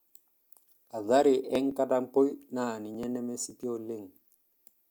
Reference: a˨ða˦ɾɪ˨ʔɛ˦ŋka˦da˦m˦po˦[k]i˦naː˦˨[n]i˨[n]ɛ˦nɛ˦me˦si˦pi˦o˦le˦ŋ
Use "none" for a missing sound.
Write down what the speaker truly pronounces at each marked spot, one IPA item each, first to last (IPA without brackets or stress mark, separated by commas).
none, n, ɲ